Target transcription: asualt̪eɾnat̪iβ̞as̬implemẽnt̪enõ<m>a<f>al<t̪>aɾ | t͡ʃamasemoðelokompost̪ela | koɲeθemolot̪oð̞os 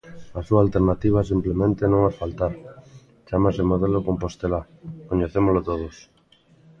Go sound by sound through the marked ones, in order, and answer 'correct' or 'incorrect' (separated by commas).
incorrect, correct, correct